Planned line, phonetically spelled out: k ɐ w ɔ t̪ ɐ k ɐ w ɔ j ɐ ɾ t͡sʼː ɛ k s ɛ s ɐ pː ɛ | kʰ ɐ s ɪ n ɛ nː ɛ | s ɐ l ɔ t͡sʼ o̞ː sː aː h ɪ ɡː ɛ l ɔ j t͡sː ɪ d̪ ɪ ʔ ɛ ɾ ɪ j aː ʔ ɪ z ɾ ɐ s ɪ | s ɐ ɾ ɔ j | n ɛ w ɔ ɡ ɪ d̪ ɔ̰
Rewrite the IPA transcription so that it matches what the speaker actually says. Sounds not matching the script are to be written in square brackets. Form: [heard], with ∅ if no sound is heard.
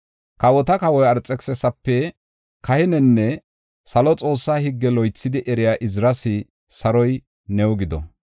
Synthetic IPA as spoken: k ɐ w ɔ t̪ ɐ k ɐ w ɔ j ɐ ɾ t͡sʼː ɛ k s ɛ s ɐ pː ɛ | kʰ ɐ [h] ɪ n ɛ nː ɛ | s ɐ l ɔ t͡sʼ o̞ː sː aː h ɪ ɡː ɛ l ɔ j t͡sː ɪ d̪ ɪ ʔ ɛ ɾ ɪ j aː ʔ ɪ z ɾ ɐ s ɪ | s ɐ ɾ ɔ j | n ɛ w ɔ ɡ ɪ d̪ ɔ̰